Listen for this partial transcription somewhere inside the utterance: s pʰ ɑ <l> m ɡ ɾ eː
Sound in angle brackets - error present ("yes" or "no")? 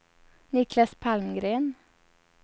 no